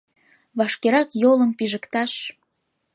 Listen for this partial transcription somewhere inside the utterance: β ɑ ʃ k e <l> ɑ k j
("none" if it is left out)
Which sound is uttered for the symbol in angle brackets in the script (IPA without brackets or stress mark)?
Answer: ɾ